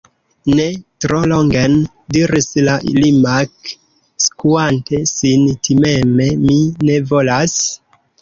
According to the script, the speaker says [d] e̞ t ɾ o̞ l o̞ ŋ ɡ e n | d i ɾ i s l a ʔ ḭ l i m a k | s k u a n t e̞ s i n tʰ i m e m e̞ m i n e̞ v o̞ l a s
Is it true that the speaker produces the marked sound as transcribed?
no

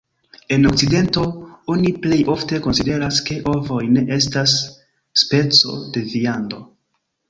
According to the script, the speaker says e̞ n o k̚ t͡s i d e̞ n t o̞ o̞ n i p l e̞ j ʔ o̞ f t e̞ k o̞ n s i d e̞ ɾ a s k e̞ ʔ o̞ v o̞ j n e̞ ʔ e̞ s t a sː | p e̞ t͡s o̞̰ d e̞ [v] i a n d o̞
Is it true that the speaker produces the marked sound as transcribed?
yes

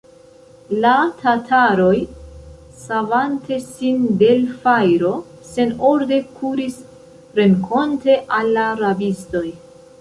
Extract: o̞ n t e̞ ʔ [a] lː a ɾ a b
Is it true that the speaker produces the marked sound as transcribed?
yes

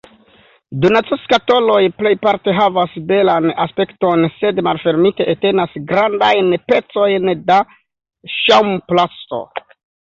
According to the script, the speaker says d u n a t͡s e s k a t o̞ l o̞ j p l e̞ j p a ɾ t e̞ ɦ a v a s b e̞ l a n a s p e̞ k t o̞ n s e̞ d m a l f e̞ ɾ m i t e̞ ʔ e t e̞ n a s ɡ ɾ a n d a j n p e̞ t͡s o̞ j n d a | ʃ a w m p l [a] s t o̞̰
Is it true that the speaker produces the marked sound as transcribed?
yes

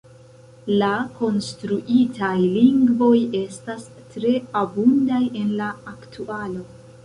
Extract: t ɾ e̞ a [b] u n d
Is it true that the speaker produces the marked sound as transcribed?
yes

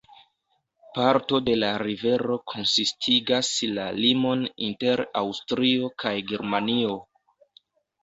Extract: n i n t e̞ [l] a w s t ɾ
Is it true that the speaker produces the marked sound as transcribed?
no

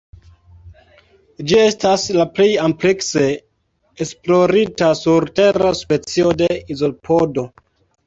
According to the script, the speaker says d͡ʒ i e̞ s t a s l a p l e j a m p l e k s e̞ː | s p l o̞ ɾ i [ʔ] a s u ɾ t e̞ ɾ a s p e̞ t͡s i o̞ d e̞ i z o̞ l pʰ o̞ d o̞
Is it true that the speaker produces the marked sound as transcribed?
no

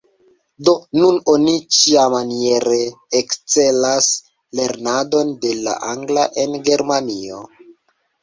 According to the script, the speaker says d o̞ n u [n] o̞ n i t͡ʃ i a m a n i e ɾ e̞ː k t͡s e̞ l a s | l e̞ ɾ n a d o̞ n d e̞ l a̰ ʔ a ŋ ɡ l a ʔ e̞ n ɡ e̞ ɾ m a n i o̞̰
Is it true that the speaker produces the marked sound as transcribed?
yes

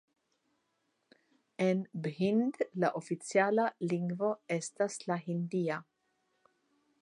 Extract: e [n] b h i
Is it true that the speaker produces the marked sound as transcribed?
yes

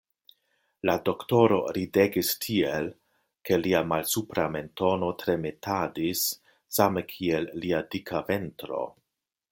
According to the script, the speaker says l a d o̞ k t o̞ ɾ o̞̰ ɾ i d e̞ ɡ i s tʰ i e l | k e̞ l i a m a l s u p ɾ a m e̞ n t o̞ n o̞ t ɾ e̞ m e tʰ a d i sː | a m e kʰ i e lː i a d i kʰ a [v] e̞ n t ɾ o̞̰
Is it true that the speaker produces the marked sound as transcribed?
yes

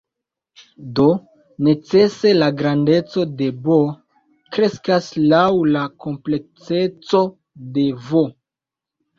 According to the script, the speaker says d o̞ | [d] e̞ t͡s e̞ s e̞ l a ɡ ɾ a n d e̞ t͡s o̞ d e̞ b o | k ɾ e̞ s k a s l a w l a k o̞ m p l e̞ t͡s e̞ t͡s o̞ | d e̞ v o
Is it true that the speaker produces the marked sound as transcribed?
no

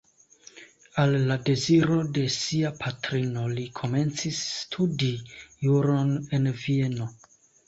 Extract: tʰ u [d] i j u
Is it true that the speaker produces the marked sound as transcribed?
yes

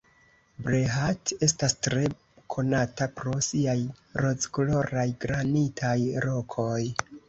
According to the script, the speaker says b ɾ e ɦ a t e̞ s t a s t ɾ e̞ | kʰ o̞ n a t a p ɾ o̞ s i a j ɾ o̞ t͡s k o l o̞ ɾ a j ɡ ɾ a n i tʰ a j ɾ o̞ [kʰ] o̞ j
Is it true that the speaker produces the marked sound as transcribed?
yes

